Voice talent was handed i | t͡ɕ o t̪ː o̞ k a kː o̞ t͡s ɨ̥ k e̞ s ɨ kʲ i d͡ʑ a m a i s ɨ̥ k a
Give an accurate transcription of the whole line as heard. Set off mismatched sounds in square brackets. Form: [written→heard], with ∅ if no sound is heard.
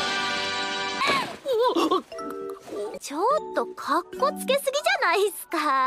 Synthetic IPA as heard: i | t͡ɕ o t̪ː o̞ [k→kʰ] a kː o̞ t͡s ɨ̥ k e̞ s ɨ [kʲ→ɡʲ] i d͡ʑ a [m→n] a i s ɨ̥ k a